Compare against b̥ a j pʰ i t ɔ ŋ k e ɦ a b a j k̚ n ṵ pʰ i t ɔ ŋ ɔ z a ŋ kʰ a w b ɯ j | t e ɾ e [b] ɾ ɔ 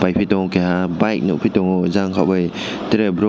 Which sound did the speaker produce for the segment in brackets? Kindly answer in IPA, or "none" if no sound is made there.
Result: b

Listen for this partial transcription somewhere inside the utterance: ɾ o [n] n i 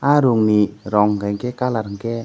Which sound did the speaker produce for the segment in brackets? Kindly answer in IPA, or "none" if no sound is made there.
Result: ŋ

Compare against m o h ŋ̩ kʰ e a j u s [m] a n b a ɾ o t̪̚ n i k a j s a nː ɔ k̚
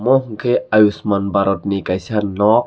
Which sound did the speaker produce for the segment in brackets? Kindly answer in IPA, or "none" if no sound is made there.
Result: m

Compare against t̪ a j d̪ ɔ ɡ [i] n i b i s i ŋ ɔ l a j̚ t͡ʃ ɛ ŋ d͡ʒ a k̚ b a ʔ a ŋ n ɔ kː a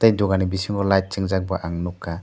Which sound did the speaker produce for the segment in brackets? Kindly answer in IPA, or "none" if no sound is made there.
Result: a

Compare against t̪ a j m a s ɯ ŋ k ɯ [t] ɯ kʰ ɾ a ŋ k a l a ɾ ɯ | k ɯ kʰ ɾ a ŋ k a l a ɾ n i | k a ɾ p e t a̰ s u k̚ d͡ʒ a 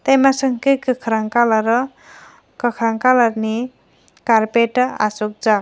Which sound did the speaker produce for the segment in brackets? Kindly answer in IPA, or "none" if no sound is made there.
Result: k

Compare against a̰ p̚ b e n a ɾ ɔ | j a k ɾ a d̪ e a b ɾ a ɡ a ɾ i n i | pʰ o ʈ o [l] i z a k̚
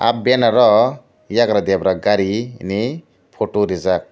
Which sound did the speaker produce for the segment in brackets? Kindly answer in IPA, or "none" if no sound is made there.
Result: ɾ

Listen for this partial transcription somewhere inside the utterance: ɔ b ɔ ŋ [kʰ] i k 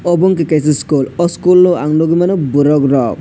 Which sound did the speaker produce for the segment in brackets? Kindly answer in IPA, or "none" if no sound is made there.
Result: k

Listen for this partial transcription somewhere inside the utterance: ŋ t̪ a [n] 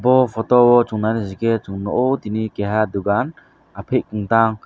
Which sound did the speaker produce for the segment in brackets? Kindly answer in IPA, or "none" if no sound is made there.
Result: ŋ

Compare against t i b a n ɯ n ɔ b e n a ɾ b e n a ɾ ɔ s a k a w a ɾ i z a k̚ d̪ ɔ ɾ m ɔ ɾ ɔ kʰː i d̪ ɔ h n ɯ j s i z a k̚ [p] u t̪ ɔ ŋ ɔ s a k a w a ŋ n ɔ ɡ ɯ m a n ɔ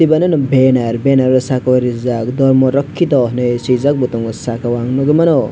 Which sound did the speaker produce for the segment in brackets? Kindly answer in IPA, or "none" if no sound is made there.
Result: b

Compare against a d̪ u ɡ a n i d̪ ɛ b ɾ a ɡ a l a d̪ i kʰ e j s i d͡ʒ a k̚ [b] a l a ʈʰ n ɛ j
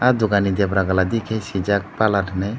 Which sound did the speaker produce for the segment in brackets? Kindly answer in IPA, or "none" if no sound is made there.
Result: p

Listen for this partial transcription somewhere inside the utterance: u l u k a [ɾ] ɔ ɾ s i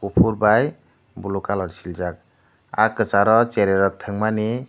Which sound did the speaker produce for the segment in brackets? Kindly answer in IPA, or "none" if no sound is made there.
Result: l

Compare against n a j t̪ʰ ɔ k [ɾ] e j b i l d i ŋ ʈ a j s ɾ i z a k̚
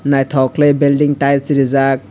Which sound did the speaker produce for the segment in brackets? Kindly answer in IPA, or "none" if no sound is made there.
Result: l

